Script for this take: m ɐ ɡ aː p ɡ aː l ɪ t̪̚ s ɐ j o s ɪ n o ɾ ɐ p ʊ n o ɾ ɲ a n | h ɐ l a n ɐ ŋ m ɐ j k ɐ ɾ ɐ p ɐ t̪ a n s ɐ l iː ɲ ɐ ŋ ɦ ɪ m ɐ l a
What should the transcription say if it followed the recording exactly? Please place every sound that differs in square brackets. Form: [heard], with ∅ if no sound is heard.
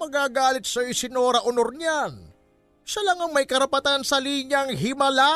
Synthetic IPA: m ɐ ɡ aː [∅] ɡ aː l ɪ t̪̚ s ɐ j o s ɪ n o ɾ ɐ [ʔ] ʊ n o ɾ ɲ a n | [ʃ] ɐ l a [ŋ] ɐ ŋ m ɐ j k ɐ ɾ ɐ p ɐ t̪ a n s ɐ l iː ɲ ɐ ŋ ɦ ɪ m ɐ l a